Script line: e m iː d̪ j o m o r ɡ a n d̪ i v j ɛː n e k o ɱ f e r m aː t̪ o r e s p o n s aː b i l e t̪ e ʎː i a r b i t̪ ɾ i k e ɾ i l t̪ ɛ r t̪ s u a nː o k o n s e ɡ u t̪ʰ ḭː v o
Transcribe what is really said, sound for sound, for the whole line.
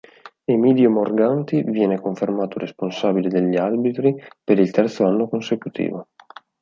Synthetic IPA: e m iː d̪ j o m o r ɡ a n t̪ i v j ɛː n e k o ɱ f e r m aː t̪ o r e s p o n s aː b i l e d̪ e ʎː i a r b i t̪ ɾ i p e ɾ i l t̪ ɛ r t̪ s o a nː o k o n s e k u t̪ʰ ḭː v o